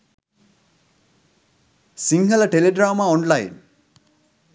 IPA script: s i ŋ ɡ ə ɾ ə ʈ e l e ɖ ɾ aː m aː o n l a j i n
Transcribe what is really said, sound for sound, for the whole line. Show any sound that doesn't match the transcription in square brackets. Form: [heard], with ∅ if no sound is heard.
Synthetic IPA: s i ŋ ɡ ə [l] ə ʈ e l e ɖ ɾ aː m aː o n l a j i n